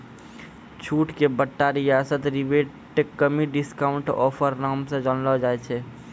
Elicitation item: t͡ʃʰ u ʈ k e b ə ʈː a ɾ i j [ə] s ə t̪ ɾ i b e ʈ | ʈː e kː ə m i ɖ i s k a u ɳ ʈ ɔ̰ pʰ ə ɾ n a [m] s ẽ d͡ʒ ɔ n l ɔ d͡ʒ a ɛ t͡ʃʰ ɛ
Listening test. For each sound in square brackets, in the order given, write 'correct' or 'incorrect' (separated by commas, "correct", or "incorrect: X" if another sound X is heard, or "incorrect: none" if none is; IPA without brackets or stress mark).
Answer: incorrect: a, correct